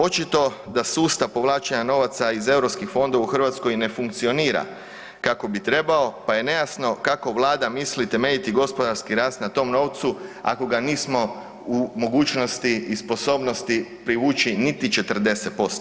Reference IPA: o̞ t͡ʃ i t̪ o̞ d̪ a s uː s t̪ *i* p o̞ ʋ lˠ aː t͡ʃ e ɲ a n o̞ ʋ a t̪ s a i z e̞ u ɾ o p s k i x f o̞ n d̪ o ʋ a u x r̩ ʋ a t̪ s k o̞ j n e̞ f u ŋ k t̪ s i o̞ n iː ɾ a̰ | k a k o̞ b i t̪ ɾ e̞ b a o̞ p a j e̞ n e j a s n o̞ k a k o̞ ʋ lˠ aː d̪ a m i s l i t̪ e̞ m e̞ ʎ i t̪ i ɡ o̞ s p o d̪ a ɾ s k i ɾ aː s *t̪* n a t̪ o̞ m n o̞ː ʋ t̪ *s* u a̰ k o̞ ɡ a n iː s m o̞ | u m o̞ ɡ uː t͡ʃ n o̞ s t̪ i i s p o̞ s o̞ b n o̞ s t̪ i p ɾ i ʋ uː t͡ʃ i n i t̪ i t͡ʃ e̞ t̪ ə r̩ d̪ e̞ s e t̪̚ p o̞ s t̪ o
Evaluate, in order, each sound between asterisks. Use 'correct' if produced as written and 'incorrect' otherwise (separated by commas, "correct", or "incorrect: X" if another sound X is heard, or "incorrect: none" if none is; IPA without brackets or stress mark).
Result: incorrect: a, correct, correct